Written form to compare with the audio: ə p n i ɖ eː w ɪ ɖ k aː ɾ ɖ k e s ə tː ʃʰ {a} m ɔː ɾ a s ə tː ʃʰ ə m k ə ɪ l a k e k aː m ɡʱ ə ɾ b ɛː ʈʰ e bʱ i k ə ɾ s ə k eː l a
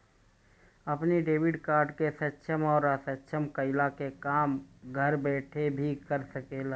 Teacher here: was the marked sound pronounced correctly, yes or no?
no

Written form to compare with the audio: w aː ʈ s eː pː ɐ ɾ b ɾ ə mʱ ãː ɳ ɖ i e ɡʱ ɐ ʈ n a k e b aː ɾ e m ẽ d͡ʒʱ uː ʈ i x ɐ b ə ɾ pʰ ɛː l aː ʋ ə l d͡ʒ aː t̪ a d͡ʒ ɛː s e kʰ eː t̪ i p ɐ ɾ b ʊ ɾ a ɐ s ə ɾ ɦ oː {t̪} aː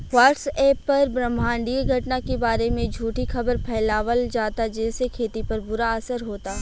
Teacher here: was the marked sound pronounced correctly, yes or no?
yes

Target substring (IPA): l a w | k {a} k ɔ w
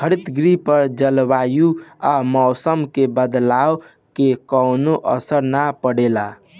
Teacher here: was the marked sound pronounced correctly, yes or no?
no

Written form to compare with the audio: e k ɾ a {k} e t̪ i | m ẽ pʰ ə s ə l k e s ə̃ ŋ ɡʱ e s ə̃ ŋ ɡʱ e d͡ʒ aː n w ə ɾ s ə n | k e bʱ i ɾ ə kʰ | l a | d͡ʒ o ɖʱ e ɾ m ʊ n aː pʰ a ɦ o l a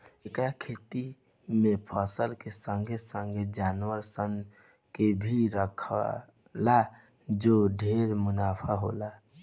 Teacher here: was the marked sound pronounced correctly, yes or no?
no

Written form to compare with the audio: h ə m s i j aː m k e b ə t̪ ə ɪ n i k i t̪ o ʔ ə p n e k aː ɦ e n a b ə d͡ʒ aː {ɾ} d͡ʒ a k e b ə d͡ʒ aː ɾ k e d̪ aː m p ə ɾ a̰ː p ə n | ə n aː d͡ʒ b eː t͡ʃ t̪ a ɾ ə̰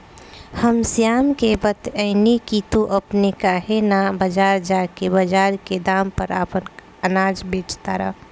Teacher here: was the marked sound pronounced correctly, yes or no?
yes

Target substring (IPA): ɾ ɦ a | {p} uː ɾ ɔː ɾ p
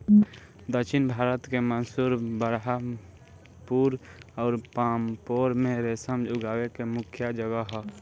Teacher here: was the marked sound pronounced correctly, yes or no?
yes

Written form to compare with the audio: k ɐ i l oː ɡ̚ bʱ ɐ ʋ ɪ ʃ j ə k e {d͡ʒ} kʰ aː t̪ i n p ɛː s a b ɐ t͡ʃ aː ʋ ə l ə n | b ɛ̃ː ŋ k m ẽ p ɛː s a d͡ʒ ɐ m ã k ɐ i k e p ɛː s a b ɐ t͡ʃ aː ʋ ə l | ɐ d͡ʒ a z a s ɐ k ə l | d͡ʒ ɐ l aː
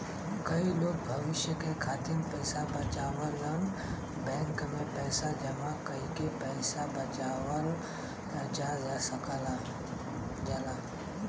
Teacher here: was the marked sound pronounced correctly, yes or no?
no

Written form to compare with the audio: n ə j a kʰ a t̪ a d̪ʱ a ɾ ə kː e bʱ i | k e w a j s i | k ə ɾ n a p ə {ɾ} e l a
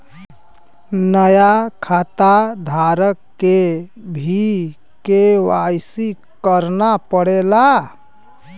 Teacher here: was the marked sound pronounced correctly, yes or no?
no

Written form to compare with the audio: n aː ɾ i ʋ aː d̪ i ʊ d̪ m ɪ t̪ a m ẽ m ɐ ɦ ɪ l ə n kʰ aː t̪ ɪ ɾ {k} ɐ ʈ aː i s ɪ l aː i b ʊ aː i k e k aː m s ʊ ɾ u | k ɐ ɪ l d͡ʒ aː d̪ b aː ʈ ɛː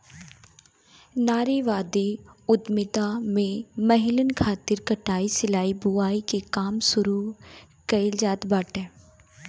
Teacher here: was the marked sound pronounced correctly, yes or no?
yes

